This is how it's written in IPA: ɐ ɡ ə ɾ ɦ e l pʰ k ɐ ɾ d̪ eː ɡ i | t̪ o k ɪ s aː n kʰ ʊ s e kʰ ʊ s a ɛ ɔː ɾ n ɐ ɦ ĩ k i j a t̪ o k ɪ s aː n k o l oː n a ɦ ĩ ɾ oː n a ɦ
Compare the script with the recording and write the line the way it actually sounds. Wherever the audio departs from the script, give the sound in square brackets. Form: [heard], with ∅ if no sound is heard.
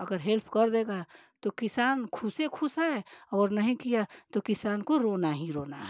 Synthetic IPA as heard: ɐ ɡ ə ɾ ɦ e l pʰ k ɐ ɾ d̪ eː ɡ [a] | t̪ o k ɪ s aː n kʰ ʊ s e kʰ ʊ s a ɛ ɔː ɾ n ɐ ɦ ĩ k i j a t̪ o k ɪ s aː n k o [ɾ] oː n a ɦ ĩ ɾ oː n a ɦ